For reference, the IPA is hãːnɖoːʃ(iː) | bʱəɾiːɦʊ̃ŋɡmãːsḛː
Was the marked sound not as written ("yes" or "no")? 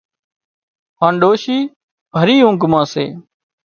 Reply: no